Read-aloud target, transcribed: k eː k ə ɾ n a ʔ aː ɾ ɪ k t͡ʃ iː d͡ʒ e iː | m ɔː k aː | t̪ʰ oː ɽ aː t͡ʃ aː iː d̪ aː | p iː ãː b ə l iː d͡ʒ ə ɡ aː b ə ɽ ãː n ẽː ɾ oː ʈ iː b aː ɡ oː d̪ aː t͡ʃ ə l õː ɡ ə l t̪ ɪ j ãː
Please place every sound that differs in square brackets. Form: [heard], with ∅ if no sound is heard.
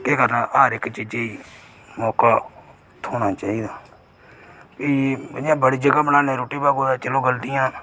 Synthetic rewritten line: k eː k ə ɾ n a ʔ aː ɾ ɪ k t͡ʃ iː d͡ʒ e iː | m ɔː k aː | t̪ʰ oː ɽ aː t͡ʃ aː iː d̪ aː | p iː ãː b ə [ɽ] iː d͡ʒ ə ɡ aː b ə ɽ [aː] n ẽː ɾ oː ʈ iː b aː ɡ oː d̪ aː t͡ʃ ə l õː ɡ ə l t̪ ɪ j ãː